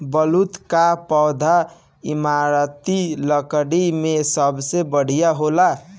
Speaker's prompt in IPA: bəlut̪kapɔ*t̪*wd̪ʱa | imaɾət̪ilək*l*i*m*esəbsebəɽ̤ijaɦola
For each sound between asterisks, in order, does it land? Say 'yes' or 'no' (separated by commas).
no, no, yes